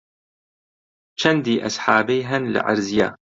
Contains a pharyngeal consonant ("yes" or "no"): yes